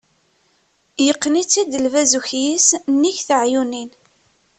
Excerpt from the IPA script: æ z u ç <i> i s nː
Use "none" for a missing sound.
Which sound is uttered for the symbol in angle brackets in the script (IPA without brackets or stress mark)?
j